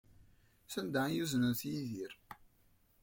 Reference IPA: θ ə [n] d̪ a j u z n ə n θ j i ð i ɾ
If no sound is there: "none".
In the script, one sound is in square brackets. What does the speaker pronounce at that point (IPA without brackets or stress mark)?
n